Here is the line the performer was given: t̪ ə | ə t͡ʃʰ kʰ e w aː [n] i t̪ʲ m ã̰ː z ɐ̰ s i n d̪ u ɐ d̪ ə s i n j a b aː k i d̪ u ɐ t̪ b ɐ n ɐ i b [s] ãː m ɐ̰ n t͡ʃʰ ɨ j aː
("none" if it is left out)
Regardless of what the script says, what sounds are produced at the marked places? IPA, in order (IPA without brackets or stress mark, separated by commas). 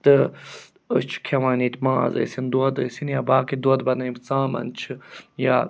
n, t͡s